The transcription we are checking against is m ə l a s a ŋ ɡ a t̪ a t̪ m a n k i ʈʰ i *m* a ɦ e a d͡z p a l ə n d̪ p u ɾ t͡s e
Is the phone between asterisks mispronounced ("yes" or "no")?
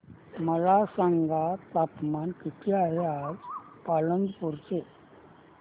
yes